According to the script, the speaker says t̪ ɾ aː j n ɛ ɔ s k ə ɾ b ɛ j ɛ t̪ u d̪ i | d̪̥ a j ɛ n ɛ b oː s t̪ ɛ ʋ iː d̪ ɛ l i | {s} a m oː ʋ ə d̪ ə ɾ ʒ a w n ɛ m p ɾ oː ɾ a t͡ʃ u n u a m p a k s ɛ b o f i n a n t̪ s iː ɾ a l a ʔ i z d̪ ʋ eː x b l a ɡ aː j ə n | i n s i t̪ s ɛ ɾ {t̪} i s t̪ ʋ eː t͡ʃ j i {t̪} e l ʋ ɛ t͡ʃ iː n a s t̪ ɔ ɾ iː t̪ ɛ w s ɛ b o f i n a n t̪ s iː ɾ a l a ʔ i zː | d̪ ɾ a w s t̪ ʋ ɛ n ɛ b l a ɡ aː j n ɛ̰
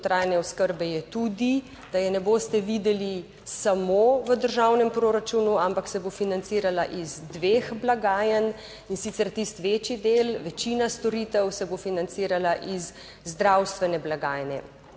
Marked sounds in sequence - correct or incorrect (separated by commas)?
correct, correct, incorrect